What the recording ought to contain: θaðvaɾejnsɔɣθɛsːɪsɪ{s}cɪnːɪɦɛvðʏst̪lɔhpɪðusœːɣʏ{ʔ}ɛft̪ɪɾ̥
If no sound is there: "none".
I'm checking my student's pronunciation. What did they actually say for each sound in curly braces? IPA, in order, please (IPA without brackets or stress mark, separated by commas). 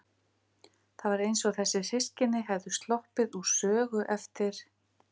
s, ʔ